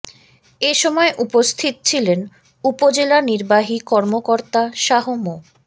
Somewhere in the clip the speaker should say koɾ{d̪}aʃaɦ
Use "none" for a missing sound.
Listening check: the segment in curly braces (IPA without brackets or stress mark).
t̪